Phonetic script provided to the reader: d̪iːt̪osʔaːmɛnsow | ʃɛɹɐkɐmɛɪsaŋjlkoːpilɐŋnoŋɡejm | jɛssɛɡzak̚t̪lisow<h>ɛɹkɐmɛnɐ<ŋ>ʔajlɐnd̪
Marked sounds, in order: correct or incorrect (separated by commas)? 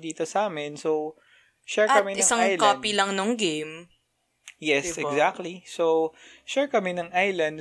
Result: incorrect, correct